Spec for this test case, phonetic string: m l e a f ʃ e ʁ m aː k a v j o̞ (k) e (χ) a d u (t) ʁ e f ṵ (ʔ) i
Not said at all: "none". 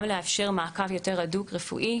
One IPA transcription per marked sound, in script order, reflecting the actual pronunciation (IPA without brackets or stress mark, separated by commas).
t, ʁ, k, ʔ